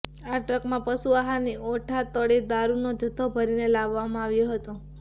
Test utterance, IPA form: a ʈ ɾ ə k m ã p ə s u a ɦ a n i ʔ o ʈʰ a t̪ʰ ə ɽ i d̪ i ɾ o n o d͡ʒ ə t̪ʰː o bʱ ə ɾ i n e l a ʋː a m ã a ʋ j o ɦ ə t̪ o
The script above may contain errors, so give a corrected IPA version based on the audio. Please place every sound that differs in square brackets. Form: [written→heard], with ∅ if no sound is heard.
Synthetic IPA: a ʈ ɾ ə k m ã p ə s u a ɦ a n i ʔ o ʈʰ a [t̪ʰ→t̪] ə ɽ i d̪ [i→a] ɾ [o→u] n o d͡ʒ ə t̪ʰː o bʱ ə ɾ i n e l a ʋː a m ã a ʋ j o ɦ ə t̪ o